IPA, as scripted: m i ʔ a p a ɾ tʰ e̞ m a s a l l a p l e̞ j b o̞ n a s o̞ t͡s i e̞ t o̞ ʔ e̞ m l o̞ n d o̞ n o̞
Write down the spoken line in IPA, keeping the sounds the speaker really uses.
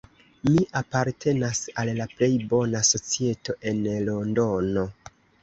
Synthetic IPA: m i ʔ a p a ɾ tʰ e̞ n a s a l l a p l e̞ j b o̞ n a s o̞ t͡s i e̞ t o̞ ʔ e̞ n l o̞ n d o̞ n o̞